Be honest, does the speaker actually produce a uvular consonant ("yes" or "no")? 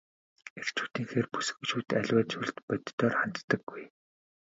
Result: yes